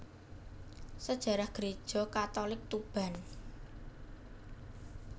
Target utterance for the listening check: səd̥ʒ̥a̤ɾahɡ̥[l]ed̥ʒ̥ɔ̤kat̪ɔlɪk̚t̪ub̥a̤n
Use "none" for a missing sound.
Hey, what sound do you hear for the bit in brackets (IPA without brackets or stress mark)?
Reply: ɾ